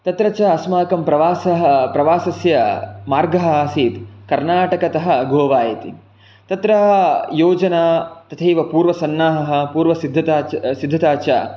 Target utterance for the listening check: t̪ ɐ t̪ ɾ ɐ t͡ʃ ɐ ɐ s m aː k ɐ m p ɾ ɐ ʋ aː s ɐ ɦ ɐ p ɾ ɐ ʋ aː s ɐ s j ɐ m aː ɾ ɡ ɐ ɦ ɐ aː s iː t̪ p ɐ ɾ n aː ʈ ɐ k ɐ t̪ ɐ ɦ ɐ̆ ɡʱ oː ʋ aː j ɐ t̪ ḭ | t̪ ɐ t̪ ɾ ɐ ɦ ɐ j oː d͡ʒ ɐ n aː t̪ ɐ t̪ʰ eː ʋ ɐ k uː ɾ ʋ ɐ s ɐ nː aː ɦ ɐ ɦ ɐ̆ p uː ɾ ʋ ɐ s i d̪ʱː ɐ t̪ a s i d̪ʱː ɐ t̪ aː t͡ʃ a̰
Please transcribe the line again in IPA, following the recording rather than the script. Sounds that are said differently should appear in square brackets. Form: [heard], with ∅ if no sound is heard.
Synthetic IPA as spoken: t̪ ɐ t̪ ɾ ɐ t͡ʃ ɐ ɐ s m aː k ɐ m p ɾ ɐ ʋ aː s ɐ ɦ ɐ p ɾ ɐ ʋ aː s ɐ s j ɐ m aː ɾ ɡ ɐ ɦ ɐ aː s iː t̪ [k] ɐ ɾ n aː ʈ ɐ k ɐ t̪ ɐ ɦ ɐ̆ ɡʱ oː ʋ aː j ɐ t̪ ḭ | t̪ ɐ t̪ ɾ ɐ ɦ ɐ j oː d͡ʒ ɐ n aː t̪ ɐ t̪ʰ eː ʋ ɐ [p] uː ɾ ʋ ɐ s ɐ nː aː ɦ ɐ ɦ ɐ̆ p uː ɾ ʋ ɐ s i d̪ʱː ɐ t̪ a s i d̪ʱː ɐ t̪ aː t͡ʃ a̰

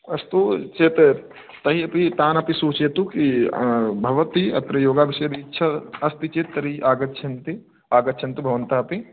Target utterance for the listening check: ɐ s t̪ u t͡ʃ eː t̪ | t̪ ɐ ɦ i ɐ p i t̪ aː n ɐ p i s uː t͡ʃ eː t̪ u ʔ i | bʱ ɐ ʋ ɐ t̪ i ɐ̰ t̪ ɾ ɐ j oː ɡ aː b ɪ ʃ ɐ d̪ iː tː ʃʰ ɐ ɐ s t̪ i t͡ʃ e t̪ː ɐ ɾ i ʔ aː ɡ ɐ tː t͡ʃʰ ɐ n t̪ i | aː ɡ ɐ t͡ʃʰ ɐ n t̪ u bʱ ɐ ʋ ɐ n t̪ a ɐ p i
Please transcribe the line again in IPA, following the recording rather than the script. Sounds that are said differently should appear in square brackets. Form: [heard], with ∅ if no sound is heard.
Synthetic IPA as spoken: ɐ s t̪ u t͡ʃ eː t̪ | t̪ ɐ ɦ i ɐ p i t̪ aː n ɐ p i s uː t͡ʃ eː t̪ u [k] i | bʱ ɐ ʋ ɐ t̪ i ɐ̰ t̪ ɾ ɐ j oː ɡ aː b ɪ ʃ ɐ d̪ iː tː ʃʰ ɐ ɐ s t̪ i t͡ʃ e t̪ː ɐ ɾ i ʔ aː ɡ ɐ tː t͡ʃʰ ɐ n t̪ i | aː ɡ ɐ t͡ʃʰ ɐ n t̪ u bʱ ɐ ʋ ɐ n t̪ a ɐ p i

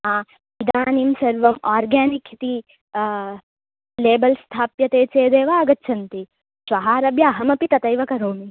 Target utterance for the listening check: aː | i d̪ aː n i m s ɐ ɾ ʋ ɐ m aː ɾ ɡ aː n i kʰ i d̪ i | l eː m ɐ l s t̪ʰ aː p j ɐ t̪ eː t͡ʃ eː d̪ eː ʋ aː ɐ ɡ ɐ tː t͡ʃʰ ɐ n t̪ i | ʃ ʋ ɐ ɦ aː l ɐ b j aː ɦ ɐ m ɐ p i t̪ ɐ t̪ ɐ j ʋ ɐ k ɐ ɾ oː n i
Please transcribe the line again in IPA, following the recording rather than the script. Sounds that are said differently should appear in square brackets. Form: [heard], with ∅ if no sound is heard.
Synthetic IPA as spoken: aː | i d̪ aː n i m s ɐ ɾ ʋ ɐ m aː ɾ ɡ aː n i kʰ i [t̪] i | l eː [b] ɐ l s t̪ʰ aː p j ɐ t̪ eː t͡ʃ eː d̪ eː ʋ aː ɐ ɡ ɐ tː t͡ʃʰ ɐ n t̪ i | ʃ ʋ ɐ ɦ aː [ɾ] ɐ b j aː ɦ ɐ m ɐ p i t̪ ɐ t̪ ɐ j ʋ ɐ k ɐ ɾ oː [m] i

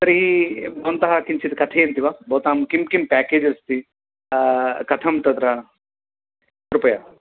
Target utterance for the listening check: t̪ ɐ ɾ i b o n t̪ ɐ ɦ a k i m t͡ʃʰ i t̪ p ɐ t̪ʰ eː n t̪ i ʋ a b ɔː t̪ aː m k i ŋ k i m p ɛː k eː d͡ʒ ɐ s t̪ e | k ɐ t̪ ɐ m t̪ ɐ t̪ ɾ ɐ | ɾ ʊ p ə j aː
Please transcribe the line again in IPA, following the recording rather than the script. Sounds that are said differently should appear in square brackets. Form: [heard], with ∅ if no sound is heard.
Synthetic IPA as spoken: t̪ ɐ ɾ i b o n t̪ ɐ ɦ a k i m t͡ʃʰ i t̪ [k] ɐ t̪ʰ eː n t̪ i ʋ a b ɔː t̪ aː m k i [m] k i m p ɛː k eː d͡ʒ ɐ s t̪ [i] | k ɐ [t̪ʰ] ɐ m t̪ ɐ t̪ ɾ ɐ | ɾ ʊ p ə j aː

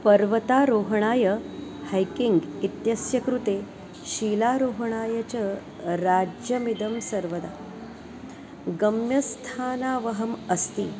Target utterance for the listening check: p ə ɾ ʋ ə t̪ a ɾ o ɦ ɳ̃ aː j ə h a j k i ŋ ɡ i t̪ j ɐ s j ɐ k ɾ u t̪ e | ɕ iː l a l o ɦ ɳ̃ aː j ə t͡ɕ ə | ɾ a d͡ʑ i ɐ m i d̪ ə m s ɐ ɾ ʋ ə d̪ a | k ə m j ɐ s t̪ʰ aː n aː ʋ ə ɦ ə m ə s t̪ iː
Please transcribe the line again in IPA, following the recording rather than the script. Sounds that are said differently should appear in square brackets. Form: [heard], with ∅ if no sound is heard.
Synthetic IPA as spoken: p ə ɾ ʋ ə t̪ a ɾ o ɦ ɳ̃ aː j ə h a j k i ŋ ɡ i t̪ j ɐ s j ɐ k ɾ u t̪ e | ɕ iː l a [ɾ] o ɦ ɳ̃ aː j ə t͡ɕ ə | ɾ a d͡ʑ [j] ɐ m i d̪ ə m s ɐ ɾ ʋ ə d̪ a | [ɡ] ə m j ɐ s t̪ʰ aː n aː ʋ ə ɦ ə m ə s t̪ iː

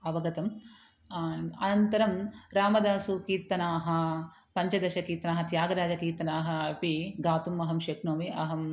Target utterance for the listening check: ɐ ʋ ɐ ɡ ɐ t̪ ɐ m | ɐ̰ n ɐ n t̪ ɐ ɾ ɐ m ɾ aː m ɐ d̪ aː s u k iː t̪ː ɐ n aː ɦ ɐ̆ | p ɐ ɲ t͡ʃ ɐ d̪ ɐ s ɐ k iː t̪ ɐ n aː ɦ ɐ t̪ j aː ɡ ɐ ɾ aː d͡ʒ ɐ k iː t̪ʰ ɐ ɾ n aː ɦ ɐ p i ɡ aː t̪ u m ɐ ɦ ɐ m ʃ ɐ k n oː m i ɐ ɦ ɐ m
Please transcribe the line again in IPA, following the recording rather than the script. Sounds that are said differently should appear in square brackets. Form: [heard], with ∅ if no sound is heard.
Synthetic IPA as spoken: ɐ ʋ ɐ ɡ ɐ t̪ ɐ m | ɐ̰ n ɐ n t̪ ɐ ɾ ɐ m ɾ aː m ɐ d̪ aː s u k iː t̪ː ɐ n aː ɦ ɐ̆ | p ɐ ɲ t͡ʃ ɐ d̪ ɐ [ʃ] ɐ k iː t̪ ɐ n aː ɦ ɐ t̪ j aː ɡ ɐ ɾ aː d͡ʒ ɐ k iː [t̪] ɐ [∅] n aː ɦ ɐ p i ɡ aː t̪ u m ɐ ɦ ɐ m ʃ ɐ k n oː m i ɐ ɦ ɐ m

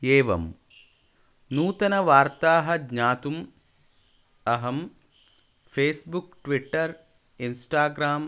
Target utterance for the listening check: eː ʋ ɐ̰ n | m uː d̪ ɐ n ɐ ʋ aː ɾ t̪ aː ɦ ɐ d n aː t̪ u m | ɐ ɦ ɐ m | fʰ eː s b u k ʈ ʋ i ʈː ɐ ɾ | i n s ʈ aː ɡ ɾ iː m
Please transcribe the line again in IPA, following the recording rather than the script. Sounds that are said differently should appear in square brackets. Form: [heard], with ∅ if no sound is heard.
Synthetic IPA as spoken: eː ʋ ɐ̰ [m] | [n] uː [t̪] ɐ n ɐ ʋ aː ɾ t̪ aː ɦ ɐ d [ɲ] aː t̪ u m | ɐ ɦ ɐ m | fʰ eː s b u k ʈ ʋ i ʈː ɐ ɾ | i n s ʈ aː ɡ ɾ [aː] m

